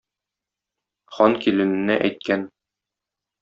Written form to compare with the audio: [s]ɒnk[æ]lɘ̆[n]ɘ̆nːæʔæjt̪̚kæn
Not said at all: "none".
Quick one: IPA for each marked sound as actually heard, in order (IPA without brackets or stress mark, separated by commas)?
χ, i, n